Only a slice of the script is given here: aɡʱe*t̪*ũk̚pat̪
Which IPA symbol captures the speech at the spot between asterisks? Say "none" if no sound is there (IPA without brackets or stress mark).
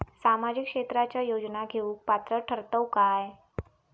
none